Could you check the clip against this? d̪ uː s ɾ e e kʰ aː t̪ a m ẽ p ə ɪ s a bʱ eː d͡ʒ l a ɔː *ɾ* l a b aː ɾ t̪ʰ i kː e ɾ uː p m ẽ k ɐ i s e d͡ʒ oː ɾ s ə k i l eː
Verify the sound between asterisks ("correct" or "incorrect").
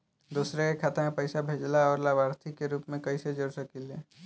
correct